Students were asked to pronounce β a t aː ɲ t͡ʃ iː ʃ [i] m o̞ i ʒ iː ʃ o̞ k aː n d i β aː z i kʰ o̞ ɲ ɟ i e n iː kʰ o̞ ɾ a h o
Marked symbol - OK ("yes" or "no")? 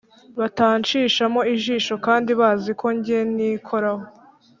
no